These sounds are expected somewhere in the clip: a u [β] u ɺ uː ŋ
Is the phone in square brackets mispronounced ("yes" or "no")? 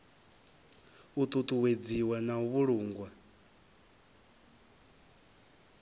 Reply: no